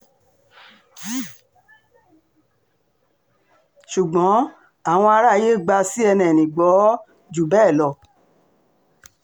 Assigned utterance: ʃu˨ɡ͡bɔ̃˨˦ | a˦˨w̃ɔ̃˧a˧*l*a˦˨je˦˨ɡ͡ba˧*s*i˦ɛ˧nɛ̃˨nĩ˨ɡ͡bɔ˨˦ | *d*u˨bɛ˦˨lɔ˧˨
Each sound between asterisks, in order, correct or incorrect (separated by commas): incorrect, correct, incorrect